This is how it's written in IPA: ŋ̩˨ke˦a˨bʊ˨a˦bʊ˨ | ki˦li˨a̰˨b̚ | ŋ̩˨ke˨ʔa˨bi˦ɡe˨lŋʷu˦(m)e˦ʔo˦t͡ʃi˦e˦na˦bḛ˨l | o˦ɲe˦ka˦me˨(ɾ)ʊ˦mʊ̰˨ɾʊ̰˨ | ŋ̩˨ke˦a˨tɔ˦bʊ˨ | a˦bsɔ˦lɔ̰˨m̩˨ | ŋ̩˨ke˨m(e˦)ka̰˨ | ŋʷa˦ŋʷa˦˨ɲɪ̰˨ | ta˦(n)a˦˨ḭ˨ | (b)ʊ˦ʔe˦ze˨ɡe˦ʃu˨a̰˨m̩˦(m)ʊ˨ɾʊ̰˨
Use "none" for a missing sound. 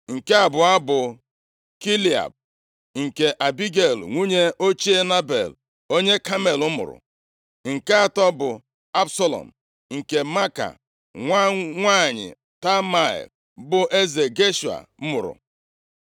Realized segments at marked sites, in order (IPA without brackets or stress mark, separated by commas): ɲ, l, a˦, m, b, m